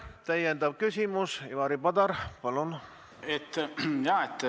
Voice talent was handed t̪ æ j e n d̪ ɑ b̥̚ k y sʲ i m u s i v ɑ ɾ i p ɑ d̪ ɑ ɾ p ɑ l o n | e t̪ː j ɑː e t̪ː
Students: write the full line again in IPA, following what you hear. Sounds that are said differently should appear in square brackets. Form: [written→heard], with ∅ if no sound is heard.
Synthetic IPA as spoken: t̪ æ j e n d̪ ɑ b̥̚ k y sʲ i m u s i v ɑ ɾ i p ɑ d̪ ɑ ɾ p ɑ l [o→u] n | e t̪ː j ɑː e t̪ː